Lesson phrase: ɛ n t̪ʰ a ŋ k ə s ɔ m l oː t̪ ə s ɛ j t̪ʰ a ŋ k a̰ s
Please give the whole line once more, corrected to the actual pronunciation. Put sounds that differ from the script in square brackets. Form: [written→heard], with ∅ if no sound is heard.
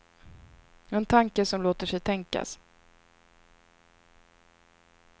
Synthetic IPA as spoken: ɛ n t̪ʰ a ŋ k ə s ɔ m l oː t̪ ə [s→ʂ] ɛ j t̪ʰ [a→ɛ] ŋ k a̰ s